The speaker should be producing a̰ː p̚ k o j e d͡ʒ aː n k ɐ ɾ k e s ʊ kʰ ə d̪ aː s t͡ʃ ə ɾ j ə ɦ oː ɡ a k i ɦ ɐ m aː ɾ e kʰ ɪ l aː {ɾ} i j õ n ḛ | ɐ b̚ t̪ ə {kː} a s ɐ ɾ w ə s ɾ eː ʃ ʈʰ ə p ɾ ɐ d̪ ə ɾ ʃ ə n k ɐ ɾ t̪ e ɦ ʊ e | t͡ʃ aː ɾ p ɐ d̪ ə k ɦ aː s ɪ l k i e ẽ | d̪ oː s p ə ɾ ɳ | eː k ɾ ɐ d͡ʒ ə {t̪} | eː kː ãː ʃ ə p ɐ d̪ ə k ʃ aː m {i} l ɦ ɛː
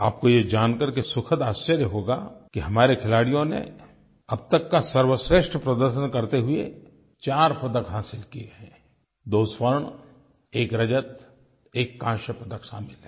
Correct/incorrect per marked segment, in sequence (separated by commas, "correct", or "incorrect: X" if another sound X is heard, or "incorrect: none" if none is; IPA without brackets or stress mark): incorrect: ɽ, correct, correct, incorrect: ɪ